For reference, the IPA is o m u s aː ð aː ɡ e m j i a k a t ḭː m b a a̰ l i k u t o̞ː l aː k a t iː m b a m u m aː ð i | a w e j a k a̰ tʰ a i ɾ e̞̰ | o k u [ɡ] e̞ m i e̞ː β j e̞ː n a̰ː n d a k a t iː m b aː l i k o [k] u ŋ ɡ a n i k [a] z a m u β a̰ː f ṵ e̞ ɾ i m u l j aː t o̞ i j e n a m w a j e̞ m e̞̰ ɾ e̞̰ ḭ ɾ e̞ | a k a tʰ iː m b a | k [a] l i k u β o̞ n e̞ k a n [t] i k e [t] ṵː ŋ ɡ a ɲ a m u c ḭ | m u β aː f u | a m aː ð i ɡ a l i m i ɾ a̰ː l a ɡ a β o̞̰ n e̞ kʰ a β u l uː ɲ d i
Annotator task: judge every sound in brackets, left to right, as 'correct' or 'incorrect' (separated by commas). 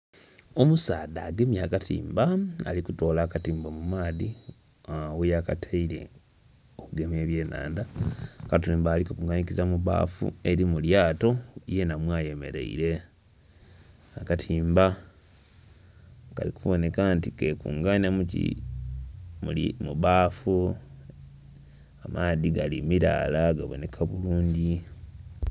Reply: correct, correct, incorrect, correct, correct, incorrect